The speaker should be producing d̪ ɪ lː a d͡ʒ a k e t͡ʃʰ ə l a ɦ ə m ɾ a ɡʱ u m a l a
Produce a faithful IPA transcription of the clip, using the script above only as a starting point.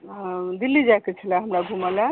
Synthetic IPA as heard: d̪ i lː i d͡ʒ a k e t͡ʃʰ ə l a ɦ ə m ɾ a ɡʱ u m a l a

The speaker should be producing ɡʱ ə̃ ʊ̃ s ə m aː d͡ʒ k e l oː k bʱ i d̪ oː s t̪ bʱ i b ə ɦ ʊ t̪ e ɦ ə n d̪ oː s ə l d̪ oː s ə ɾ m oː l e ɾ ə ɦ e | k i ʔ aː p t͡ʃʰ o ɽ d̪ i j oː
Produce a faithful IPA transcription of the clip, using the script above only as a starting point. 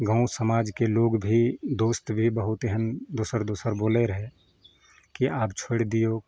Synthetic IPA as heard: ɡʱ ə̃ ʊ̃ s ə m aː d͡ʒ k e l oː ɡ bʱ i d̪ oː s t̪ bʱ i b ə ɦ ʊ t̪ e ɦ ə n d̪ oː s ə ɾ d̪ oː s ə ɾ b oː l e ɾ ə ɦ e | k i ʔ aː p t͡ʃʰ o ɽ d̪ i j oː

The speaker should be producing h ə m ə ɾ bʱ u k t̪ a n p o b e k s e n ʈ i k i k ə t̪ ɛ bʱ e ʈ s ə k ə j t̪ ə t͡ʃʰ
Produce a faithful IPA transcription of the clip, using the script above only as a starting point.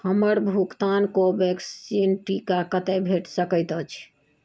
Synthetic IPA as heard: h ə m ə ɾ bʱ u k t̪ a n k o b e k s i n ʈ i k a k ə t̪ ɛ bʱ e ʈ s ə k ə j t̪ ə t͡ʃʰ

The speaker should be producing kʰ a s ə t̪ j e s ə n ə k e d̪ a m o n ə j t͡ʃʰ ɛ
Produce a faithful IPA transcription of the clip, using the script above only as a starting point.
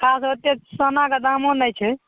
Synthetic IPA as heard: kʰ a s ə t̪ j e s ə n a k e d̪ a m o n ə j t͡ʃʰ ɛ

